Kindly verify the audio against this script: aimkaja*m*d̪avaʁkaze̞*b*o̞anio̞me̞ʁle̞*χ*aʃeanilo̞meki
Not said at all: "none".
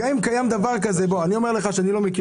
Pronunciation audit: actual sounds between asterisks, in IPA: m, b, χ

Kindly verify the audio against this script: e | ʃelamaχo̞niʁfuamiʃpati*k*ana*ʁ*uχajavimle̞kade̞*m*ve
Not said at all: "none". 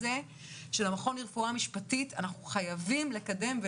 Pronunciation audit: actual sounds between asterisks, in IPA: t, χ, m

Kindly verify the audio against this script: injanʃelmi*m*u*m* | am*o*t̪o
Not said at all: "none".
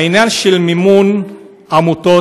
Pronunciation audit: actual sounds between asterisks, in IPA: m, n, u

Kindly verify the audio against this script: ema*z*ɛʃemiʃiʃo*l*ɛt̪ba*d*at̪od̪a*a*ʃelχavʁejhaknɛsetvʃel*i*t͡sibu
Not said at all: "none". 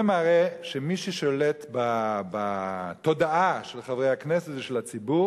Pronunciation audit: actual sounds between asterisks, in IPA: ʁ, l, b, a, a

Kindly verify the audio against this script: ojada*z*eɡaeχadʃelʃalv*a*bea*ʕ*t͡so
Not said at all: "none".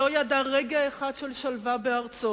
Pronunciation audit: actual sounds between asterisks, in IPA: ʁ, a, ʁ

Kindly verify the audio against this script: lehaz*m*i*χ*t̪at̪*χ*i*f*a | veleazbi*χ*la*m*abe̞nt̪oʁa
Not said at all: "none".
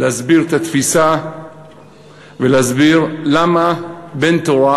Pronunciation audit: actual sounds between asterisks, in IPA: b, ʁ, f, s, ʁ, m

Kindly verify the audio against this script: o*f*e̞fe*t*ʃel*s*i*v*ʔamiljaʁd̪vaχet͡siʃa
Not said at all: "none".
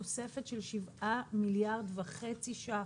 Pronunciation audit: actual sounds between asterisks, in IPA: s, t, ʃ, v

